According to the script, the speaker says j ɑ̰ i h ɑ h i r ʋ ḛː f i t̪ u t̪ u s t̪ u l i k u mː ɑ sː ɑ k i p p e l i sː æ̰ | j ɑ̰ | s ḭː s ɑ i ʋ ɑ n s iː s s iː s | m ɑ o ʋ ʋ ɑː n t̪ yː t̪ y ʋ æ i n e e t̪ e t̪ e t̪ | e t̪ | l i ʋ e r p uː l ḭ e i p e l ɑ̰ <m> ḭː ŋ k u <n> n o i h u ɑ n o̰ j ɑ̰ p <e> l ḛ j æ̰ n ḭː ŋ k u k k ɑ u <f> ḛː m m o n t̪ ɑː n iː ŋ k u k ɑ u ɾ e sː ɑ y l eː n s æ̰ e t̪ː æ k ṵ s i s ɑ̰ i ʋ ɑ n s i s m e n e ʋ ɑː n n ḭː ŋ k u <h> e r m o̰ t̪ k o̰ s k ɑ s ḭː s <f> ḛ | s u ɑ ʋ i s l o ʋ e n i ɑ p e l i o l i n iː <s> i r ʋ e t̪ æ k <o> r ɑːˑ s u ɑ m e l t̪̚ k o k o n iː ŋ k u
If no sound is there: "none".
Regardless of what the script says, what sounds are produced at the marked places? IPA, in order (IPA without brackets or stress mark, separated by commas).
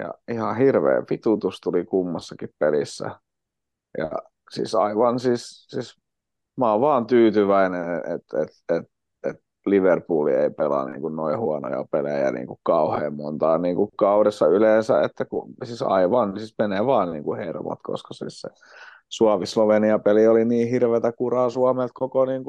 n, n, e, h, h, s, h, u